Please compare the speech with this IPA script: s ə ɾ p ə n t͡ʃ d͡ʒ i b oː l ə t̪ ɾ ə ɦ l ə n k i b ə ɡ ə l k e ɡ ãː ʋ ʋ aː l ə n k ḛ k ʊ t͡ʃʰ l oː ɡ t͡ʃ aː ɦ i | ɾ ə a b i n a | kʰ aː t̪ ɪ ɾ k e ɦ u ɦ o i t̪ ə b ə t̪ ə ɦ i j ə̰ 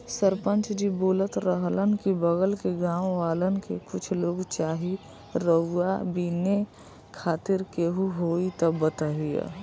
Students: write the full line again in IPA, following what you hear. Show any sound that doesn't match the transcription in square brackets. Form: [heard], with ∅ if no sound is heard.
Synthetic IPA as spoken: s ə ɾ p ə n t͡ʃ d͡ʒ i b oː l ə t̪ ɾ ə ɦ l ə n k i b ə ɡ ə l k e ɡ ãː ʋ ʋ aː l ə n k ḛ k ʊ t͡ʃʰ l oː ɡ t͡ʃ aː ɦ i | ɾ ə a b i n [e] | kʰ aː t̪ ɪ ɾ k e ɦ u ɦ o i t̪ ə b ə t̪ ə ɦ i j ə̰